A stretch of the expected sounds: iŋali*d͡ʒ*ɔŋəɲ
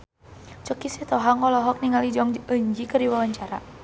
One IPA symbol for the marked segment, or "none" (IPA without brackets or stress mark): d͡ʒ